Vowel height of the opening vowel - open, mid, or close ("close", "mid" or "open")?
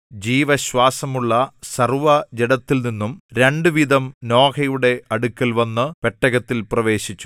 close